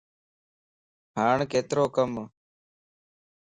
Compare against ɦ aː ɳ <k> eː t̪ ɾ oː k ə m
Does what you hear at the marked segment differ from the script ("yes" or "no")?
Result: no